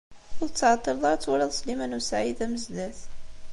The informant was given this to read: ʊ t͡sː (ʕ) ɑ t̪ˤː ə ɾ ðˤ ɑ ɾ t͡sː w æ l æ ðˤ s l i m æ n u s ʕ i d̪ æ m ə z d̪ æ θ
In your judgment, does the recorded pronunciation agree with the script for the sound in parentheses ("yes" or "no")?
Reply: yes